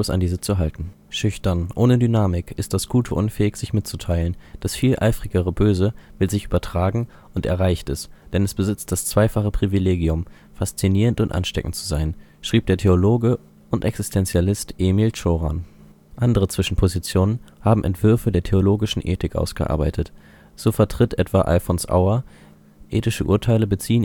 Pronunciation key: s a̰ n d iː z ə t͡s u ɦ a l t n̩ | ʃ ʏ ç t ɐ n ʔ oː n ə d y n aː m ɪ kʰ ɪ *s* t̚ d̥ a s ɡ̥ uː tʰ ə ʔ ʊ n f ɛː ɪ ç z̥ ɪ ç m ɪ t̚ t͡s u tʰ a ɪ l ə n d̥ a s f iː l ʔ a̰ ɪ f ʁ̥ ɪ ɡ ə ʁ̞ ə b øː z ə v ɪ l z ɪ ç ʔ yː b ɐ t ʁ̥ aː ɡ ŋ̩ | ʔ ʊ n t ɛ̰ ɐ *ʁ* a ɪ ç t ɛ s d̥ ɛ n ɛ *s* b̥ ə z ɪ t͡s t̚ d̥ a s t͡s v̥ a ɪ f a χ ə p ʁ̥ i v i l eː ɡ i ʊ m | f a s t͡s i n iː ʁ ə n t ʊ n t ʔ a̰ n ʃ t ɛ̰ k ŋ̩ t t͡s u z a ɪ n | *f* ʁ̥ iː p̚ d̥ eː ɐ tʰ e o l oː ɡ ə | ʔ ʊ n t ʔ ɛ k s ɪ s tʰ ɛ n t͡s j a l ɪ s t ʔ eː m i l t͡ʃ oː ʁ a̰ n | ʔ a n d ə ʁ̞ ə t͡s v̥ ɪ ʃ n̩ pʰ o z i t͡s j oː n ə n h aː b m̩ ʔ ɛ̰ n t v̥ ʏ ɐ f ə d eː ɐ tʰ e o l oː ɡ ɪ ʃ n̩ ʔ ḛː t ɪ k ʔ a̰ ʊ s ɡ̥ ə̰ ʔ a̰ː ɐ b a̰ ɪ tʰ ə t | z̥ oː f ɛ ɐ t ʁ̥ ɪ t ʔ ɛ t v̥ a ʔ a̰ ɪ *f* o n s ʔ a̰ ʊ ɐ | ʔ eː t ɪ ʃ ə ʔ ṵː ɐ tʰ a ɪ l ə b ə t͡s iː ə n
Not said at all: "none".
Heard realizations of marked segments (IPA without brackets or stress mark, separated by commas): s, ʁ, s, ʃ, f